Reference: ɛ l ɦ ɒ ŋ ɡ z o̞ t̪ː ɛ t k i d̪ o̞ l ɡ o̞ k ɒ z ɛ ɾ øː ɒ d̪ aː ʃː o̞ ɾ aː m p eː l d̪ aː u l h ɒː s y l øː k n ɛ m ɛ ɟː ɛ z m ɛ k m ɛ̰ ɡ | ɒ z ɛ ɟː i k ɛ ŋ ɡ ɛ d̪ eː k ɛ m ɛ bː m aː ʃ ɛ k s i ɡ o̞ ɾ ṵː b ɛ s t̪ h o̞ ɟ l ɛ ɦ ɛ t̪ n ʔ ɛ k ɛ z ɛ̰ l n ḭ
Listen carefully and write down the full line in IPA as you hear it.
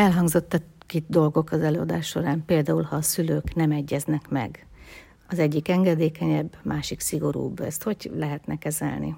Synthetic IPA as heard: ɛ l ɦ ɒ ŋ ɡ z o̞ t̪ː ɛ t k i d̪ o̞ l ɡ o̞ k ɒ z ɛ l øː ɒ d̪ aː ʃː o̞ ɾ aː m p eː l d̪ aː u l h ɒː s y l øː k n ɛ m ɛ ɟː ɛ z n ɛ k m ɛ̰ ɡ | ɒ z ɛ ɟː i k ɛ ŋ ɡ ɛ d̪ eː k ɛ ɲ ɛ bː m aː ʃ i k s i ɡ o̞ ɾ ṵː b ɛ s t̪ h o̞ ɟ l ɛ ɦ ɛ t̪ n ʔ ɛ k ɛ z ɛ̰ l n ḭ